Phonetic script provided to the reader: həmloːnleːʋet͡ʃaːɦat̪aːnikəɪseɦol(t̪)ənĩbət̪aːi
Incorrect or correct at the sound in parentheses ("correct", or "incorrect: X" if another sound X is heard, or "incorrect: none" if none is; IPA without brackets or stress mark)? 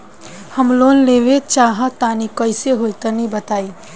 correct